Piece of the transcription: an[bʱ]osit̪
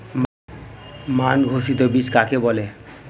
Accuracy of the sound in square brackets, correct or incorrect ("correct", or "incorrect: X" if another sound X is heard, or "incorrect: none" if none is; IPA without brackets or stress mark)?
incorrect: ɡʱ